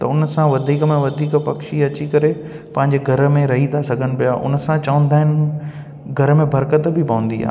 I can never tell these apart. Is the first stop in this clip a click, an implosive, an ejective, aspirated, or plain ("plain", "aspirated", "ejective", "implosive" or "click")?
plain